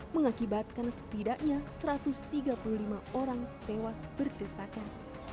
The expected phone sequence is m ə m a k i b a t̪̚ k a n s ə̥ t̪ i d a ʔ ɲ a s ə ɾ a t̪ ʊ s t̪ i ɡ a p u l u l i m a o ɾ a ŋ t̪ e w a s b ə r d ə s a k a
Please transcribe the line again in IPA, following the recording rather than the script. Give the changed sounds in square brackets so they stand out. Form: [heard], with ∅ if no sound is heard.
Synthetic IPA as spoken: m ə [ŋ] a k i b a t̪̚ k a n s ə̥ t̪ i d a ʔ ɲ a s ə ɾ a t̪ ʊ s t̪ i ɡ a p u l u l i m a o ɾ a ŋ t̪ e w a s b ə r d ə s a k a